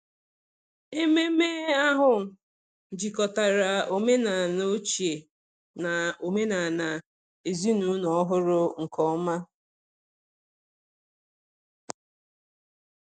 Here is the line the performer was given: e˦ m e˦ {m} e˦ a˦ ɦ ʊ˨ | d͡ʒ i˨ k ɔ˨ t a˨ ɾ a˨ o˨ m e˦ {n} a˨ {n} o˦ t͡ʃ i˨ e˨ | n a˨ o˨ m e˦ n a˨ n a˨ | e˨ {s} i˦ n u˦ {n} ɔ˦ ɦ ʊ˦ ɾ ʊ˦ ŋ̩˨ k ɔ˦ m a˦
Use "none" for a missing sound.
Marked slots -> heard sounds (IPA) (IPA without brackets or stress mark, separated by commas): m, n, n, z, n